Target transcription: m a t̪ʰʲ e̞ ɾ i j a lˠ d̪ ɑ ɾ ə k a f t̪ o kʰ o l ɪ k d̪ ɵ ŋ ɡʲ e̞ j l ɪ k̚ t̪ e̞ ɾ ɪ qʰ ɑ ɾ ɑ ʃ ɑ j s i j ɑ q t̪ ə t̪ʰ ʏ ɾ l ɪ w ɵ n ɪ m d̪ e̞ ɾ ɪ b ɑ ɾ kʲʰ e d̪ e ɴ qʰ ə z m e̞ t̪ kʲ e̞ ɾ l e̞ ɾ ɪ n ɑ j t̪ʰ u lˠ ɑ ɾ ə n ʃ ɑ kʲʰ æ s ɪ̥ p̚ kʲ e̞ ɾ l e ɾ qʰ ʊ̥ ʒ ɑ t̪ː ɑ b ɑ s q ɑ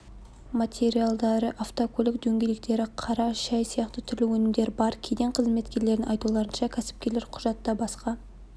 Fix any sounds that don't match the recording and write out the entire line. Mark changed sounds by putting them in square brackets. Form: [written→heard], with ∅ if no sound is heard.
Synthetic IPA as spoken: m a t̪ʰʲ e̞ ɾ i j a lˠ d̪ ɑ ɾ ə [k→ʔ] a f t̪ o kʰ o l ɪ k d̪ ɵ ŋ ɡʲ e̞ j l ɪ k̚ t̪ e̞ ɾ ɪ qʰ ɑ ɾ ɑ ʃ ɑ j s i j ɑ q t̪ ə t̪ʰ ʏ ɾ l ɪ w ɵ n ɪ m d̪ e̞ ɾ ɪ b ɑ ɾ kʲʰ e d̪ e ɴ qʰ ə z m e̞ t̪ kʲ e̞ ɾ l e̞ ɾ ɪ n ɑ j [t̪ʰ→t̪] u lˠ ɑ ɾ ə n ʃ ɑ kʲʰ æ s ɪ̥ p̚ kʲ e̞ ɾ l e ɾ qʰ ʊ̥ ʒ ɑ t̪ː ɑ b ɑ s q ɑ